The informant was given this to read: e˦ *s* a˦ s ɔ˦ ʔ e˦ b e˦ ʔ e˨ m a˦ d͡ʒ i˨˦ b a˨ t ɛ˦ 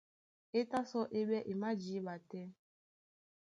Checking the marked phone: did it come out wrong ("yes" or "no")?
yes